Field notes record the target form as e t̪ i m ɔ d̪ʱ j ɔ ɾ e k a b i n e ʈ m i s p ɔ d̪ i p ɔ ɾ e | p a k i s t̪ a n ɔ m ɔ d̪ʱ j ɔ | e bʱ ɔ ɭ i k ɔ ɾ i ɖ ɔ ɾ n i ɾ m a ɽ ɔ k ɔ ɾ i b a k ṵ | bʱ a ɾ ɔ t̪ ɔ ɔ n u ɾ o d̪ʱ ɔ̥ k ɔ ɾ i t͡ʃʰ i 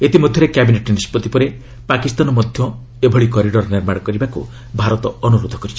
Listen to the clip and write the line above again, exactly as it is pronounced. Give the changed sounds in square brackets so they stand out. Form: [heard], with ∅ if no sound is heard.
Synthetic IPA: e t̪ i m ɔ d̪ʱ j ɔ ɾ e k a b i n e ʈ [n] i s p ɔ [t̪] i p ɔ ɾ e | p a k i s t̪ a n ɔ m ɔ d̪ʱ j ɔ | e bʱ ɔ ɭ i k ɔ ɾ i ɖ ɔ ɾ n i ɾ m a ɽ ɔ k ɔ ɾ i b a k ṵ | bʱ a ɾ ɔ t̪ ɔ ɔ n u ɾ o d̪ʱ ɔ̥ k ɔ ɾ i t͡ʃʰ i